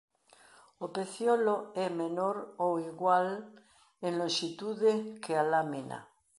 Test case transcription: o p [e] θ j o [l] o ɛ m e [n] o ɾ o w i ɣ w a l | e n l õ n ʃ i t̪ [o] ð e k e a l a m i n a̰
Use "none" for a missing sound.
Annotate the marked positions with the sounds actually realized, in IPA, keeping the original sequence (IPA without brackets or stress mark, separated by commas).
e, l, n, u